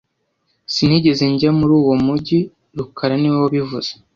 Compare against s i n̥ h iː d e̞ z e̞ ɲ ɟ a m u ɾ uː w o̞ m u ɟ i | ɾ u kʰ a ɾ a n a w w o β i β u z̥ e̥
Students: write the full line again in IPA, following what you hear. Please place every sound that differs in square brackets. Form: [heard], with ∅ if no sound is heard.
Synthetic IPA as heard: s i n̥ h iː [ɟ] e̞ z e̞ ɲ ɟ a m u ɾ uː w o̞ m u ɟ i | ɾ u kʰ a ɾ a n [i] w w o β i [v] u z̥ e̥